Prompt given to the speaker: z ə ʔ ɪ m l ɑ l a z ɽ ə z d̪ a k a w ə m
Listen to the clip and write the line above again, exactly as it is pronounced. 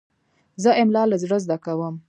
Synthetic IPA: z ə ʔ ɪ m l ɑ l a z ɽ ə z d̪ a k a w ə m